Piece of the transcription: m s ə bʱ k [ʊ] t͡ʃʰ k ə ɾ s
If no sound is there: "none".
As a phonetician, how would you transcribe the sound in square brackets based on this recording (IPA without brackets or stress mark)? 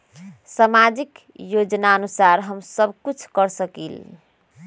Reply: u